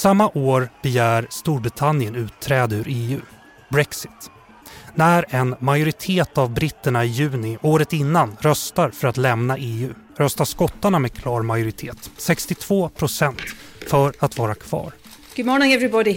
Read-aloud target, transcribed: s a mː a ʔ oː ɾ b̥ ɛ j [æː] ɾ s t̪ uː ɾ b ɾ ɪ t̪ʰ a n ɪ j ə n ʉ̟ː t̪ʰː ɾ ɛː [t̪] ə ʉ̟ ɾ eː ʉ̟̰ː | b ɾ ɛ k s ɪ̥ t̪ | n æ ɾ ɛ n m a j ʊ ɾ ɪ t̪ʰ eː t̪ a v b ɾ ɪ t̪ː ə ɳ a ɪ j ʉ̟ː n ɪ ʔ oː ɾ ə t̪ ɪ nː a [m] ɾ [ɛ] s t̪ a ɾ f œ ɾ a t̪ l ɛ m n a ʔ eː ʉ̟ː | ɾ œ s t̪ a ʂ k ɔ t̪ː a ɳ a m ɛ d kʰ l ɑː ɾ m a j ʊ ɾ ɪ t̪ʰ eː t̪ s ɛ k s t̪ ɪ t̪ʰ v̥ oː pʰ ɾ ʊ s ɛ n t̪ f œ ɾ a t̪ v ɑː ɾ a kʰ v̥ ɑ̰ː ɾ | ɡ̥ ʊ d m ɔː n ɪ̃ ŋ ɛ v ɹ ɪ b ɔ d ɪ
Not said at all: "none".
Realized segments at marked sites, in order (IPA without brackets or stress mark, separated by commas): æː, d̪, n, œ